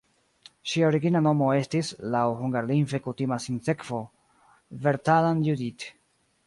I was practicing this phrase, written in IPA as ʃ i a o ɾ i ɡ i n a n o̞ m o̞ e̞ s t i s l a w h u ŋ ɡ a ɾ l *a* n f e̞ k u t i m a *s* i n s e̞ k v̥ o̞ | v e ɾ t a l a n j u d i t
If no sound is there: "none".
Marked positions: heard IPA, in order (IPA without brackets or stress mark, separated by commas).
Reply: i, s